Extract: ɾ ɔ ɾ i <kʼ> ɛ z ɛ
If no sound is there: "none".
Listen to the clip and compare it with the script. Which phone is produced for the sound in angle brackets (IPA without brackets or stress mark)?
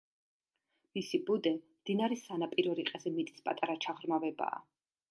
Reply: qʼ